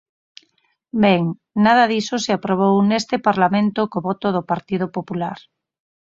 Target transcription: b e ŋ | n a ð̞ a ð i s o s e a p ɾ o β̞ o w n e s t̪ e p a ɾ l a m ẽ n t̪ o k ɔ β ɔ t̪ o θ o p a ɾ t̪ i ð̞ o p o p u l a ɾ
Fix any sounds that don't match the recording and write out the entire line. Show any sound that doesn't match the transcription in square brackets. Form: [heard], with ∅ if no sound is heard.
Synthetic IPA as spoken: b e ŋ | n a ð̞ a ð i s o s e a p ɾ o β̞ o w n e s t̪ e p a ɾ l a m ẽ n t̪ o k [o] β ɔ t̪ o [ð] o p a ɾ t̪ i ð̞ o p o p u l a ɾ